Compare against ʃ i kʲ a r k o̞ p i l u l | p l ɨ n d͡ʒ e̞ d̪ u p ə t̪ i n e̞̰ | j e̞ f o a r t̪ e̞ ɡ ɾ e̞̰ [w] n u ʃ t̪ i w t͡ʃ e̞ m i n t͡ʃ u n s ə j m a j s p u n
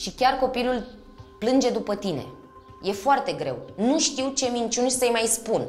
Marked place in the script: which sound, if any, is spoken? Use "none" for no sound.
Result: w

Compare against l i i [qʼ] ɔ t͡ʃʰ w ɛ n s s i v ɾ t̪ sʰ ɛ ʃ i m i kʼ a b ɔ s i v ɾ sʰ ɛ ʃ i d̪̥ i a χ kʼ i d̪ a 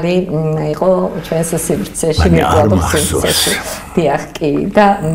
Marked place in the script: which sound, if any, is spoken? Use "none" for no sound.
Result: qʼ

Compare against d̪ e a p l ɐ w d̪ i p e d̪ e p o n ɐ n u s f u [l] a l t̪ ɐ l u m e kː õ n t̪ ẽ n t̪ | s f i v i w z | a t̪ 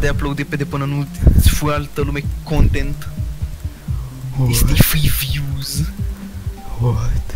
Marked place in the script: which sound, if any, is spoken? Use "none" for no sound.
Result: none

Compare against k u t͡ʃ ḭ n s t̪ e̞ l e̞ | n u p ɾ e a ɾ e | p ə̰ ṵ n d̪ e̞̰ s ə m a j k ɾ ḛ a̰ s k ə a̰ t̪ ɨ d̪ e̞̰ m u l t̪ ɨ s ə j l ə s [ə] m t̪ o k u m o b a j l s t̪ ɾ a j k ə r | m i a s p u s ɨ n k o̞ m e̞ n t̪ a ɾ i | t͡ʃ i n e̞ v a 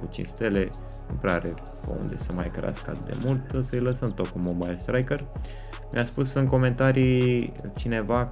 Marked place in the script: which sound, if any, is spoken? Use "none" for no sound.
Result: ə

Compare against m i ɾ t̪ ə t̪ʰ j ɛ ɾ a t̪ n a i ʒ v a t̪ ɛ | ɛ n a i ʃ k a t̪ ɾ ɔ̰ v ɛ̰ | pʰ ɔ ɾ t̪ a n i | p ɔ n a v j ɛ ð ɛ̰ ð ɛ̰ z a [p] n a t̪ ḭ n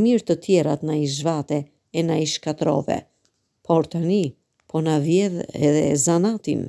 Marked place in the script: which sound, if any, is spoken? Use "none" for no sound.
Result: none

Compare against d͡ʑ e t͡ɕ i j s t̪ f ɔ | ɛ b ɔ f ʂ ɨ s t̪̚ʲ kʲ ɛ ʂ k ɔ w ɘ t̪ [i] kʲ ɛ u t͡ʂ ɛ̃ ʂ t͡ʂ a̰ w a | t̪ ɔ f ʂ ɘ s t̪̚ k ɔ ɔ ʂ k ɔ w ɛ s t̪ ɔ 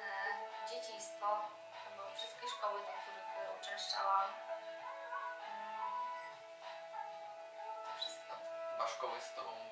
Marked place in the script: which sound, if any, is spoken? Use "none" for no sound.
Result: a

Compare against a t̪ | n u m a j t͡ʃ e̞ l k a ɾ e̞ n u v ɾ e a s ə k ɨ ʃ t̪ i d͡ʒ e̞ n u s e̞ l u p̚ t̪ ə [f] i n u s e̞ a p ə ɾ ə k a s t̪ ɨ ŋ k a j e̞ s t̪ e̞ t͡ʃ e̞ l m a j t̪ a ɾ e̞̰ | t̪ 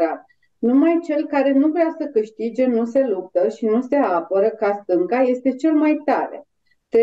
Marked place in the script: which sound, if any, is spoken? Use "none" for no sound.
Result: ʃ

